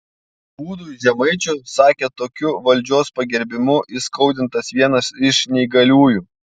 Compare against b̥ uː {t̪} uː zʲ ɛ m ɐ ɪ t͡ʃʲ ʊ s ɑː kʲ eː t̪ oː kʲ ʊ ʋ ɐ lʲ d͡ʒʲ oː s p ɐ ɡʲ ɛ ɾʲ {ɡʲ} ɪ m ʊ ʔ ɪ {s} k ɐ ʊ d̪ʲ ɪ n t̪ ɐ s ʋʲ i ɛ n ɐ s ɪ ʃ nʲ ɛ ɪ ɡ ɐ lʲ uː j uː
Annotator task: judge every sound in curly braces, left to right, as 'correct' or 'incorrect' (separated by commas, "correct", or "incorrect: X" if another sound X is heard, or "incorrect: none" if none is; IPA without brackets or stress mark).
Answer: incorrect: d̪, incorrect: bʲ, correct